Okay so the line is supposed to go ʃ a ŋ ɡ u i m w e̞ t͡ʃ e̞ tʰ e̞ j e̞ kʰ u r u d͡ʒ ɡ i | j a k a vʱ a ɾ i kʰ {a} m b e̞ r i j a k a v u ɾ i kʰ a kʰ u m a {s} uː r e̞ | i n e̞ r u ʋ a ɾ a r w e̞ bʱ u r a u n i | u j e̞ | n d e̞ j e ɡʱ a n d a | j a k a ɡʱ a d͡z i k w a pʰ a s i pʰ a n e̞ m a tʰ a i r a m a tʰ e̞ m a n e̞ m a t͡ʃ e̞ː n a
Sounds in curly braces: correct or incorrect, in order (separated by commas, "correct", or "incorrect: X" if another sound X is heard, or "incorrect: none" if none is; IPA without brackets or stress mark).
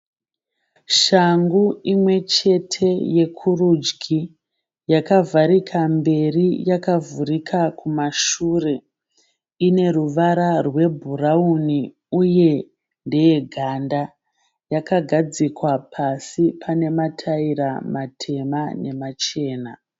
correct, incorrect: ʃ